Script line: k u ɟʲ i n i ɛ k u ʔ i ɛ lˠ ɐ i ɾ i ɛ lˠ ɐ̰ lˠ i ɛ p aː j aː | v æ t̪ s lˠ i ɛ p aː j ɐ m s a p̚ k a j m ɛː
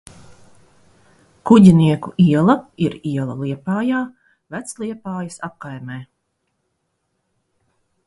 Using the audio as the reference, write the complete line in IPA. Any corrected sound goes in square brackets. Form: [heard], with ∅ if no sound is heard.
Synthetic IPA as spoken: k u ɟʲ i n i ɛ k u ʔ i ɛ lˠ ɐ i ɾ i ɛ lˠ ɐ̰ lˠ i ɛ p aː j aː | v æ t̪ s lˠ i ɛ p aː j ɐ [∅] s a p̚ k a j m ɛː